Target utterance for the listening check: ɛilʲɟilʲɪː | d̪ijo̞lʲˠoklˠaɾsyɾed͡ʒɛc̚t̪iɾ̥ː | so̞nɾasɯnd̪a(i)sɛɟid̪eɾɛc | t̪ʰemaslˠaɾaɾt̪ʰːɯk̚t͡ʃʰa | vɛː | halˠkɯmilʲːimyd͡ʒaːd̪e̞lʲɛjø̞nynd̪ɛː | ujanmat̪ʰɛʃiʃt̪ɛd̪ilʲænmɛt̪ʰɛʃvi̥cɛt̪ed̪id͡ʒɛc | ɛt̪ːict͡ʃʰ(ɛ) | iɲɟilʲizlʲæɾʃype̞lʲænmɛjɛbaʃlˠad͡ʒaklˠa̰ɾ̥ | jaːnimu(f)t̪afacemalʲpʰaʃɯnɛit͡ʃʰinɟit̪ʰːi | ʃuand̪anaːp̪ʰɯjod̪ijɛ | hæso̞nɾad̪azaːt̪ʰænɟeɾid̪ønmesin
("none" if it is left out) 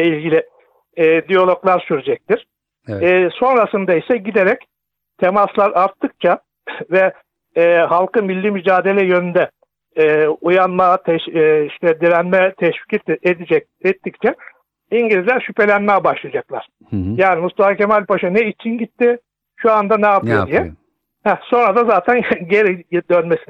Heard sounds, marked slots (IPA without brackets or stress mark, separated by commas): i, ɛ, s